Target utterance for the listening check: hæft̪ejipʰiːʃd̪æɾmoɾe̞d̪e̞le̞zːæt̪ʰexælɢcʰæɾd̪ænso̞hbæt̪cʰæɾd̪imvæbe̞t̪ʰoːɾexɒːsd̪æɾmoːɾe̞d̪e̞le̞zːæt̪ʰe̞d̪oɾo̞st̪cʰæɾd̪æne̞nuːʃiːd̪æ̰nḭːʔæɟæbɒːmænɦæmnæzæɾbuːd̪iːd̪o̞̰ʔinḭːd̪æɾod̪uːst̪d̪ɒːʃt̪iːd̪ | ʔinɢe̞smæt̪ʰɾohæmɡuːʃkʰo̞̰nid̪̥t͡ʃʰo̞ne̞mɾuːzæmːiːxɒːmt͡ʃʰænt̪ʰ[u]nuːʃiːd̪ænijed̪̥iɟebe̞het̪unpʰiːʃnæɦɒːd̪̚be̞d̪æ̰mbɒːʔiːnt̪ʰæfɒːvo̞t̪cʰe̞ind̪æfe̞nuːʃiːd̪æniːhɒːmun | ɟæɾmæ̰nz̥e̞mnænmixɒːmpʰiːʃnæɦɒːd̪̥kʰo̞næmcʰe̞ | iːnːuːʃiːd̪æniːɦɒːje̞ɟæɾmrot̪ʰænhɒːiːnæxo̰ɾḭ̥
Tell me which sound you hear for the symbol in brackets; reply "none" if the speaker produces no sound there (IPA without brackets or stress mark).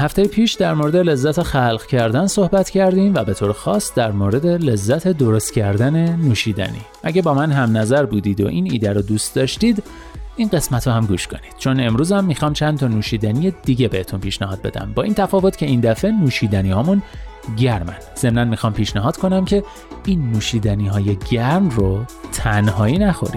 ɒ